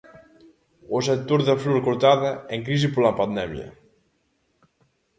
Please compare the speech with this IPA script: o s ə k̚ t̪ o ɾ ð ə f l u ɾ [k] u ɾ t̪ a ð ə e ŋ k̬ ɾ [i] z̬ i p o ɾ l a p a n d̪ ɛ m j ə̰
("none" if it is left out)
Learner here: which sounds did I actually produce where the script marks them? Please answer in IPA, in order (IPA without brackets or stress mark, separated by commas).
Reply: k, i